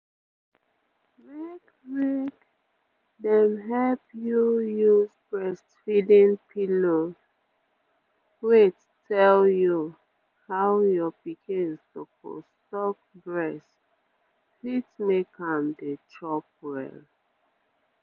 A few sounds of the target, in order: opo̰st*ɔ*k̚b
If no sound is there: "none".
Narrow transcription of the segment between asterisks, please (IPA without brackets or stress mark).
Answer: ɔ